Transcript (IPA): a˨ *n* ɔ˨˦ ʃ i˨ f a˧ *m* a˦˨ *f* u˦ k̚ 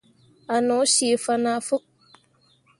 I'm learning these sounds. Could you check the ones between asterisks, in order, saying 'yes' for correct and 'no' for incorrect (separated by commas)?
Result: yes, no, yes